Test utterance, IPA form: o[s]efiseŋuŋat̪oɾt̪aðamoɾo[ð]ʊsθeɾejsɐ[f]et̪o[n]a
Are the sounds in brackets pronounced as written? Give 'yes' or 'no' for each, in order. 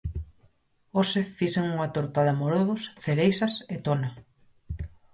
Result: yes, yes, no, yes

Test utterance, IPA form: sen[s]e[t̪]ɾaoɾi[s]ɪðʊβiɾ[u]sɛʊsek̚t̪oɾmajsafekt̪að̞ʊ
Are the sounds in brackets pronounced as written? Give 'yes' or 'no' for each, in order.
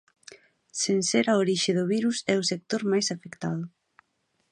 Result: yes, no, no, yes

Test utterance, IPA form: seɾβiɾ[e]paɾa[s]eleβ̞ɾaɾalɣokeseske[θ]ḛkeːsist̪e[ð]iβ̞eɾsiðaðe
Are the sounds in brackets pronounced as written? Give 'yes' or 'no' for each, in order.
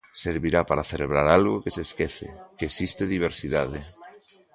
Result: no, no, yes, yes

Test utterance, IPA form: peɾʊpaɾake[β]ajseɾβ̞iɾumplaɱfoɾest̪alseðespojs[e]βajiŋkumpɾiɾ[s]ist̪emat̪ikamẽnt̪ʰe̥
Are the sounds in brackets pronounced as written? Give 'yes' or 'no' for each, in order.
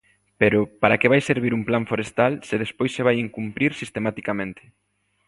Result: yes, yes, yes

